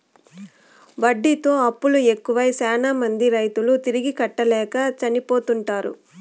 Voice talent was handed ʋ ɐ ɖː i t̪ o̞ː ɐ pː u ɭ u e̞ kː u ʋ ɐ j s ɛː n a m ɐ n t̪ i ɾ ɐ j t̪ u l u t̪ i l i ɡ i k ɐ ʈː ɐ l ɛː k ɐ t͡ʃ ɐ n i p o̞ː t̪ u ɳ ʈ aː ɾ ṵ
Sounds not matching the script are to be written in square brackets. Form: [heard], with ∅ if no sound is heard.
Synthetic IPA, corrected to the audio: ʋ ɐ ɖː i t̪ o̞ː ɐ pː u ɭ u e̞ kː u ʋ ɐ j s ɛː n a m ɐ n [d̪] i ɾ ɐ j t̪ u l u t̪ i [ɾ] i ɡ i k ɐ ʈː ɐ l ɛː k ɐ t͡ʃ ɐ n i p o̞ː t̪ u ɳ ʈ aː ɾ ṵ

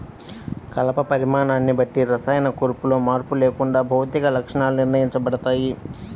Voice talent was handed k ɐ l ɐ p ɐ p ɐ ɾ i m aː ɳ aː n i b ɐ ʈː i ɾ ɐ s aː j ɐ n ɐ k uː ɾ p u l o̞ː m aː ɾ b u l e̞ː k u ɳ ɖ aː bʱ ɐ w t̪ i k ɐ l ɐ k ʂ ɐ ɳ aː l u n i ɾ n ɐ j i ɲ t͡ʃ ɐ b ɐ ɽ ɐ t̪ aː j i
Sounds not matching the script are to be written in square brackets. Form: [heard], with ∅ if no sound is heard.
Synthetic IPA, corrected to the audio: k ɐ l ɐ p ɐ p ɐ ɾ i m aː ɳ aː [nː] i b ɐ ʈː i ɾ ɐ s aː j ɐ n ɐ k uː ɾ p u l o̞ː m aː ɾ [p] u l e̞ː k u ɳ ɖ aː bʱ ɐ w t̪ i k ɐ l ɐ k ʂ ɐ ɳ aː l u n i ɾ n ɐ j i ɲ t͡ʃ ɐ b ɐ ɽ ɐ t̪ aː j i

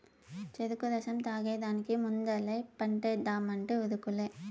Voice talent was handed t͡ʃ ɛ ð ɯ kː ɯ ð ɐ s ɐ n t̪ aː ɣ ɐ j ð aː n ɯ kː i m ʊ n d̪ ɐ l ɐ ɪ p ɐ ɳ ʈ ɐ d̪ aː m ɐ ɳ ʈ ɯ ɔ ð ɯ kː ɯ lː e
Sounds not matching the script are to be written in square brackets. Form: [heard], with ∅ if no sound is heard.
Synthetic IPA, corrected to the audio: t͡ʃ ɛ ð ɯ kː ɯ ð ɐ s ɐ [m] t̪ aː ɣ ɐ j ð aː n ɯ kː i m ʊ n d̪ ɐ l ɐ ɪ p ɐ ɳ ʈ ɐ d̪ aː m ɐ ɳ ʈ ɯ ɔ ð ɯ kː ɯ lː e

